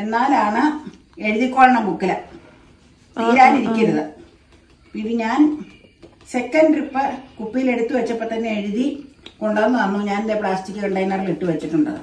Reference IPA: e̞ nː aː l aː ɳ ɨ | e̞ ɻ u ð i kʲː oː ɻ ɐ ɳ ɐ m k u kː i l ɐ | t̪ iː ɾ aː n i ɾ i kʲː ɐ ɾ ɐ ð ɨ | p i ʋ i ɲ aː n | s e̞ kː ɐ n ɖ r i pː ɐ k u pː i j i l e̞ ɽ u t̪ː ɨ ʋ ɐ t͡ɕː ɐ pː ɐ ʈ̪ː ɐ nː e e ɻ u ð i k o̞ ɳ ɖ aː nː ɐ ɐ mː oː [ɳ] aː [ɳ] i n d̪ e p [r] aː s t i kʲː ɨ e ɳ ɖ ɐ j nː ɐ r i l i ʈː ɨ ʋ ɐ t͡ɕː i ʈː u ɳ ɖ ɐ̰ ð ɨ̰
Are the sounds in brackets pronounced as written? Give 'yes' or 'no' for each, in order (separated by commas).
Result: no, no, no